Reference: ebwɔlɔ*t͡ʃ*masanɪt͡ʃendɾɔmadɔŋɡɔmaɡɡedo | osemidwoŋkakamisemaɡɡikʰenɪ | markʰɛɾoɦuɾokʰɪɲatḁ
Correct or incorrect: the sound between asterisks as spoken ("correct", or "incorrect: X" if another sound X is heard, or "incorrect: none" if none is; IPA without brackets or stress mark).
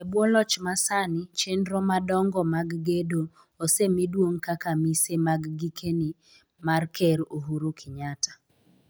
correct